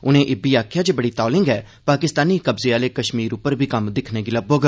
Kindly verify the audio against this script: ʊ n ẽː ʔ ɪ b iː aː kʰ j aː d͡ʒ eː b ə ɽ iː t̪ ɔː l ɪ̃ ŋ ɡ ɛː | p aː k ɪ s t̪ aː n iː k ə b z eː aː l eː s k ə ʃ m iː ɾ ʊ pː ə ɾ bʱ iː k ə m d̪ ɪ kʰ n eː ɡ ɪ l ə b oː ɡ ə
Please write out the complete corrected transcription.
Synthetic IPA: ʊ n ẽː ʔ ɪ b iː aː kʰ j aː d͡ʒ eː b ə ɽ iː t̪ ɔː l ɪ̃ ŋ ɡ ɛː | p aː k ɪ s t̪ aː n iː k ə b z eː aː l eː k ə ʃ m iː ɾ ʊ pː ə ɾ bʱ iː k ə m d̪ ɪ kʰ n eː ɡ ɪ l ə b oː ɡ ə